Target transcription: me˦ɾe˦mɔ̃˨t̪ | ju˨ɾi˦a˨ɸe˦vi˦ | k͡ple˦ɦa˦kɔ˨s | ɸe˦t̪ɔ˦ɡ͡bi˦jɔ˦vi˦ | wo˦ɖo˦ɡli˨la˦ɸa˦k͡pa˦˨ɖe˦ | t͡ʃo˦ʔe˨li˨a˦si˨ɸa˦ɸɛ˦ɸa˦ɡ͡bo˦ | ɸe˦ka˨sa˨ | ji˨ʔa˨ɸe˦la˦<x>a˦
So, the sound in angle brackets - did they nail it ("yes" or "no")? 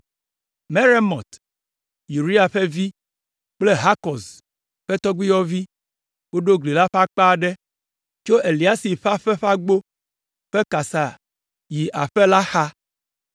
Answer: yes